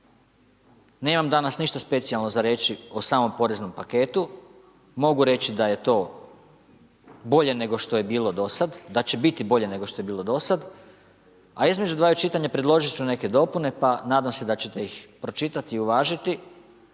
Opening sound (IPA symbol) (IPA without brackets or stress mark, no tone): n